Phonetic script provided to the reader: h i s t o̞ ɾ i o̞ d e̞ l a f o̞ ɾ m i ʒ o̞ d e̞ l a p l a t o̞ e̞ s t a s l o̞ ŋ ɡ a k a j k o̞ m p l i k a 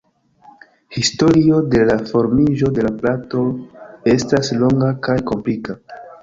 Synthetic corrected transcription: h i s t o̞ ɾ i o̞ d e̞ l a f o̞ ɾ m i ʒ o̞ d e̞ l a p l a t o̞ e̞ s t a s l o̞ ŋ ɡ a k a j k o̞ m p l i k a